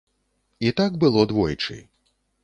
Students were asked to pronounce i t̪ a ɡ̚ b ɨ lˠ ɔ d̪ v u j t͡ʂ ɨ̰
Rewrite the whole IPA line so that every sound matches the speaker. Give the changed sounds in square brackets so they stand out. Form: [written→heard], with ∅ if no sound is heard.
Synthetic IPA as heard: i t̪ a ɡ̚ b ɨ lˠ ɔ d̪ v [u→ɔ] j t͡ʂ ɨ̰